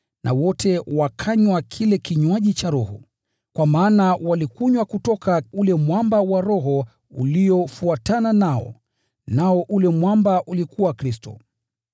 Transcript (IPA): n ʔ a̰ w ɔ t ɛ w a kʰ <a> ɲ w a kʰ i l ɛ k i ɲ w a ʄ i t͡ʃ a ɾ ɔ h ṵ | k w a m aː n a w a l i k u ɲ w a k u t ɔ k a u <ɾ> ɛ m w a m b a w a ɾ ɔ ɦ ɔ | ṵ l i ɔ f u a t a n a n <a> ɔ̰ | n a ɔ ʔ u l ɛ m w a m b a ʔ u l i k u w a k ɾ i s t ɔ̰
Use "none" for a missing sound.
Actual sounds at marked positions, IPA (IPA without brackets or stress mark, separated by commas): a, l, a